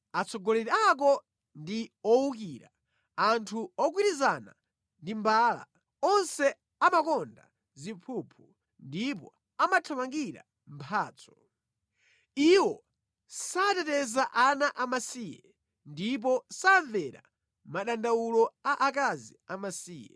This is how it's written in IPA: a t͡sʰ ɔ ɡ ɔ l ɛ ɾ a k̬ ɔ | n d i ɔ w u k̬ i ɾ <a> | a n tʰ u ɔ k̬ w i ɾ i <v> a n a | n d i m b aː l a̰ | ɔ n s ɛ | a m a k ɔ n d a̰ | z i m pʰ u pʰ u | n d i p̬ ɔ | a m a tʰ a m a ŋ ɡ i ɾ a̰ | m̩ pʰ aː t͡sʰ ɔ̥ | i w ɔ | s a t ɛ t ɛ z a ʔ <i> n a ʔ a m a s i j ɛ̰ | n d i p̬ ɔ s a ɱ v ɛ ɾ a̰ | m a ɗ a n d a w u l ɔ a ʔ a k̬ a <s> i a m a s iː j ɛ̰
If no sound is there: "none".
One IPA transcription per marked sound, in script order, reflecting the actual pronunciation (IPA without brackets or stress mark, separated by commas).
a, z, a, z